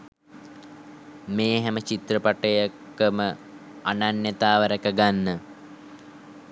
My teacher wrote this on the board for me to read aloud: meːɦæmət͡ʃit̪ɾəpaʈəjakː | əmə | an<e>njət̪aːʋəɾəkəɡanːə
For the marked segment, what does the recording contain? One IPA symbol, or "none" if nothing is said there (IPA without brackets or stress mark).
a